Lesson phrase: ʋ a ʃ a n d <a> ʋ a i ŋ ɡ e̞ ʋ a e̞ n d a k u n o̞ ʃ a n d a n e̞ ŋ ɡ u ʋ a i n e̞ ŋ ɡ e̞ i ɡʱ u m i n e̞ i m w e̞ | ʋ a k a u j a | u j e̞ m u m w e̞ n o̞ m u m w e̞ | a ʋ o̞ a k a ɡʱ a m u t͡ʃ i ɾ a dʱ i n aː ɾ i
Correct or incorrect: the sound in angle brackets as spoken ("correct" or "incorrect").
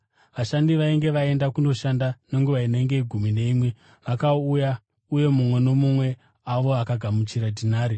incorrect